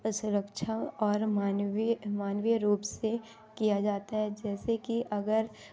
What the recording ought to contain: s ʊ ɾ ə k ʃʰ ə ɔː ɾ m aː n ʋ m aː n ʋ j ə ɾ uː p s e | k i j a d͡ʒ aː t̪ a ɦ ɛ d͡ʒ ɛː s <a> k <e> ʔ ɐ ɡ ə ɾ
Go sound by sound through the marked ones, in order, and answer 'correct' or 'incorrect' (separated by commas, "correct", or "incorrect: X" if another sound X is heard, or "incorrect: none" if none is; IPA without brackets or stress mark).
incorrect: e, incorrect: i